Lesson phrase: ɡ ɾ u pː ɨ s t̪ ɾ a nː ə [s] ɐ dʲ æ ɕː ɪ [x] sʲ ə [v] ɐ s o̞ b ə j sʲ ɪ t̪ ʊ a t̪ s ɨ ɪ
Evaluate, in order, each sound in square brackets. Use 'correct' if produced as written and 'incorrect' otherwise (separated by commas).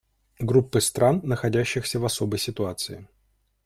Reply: incorrect, correct, correct